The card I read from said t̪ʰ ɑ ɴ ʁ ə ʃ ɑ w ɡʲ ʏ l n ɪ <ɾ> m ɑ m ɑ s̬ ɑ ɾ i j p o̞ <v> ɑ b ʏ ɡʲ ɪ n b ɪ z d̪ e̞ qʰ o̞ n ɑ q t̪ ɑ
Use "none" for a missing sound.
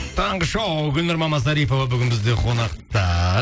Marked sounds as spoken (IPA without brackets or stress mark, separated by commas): ɾ, v